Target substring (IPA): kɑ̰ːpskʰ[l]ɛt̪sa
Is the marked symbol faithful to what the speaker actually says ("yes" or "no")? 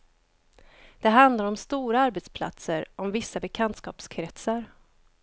no